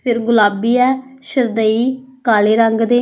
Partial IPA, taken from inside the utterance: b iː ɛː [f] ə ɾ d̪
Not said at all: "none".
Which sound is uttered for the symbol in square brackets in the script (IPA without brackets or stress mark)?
ʃ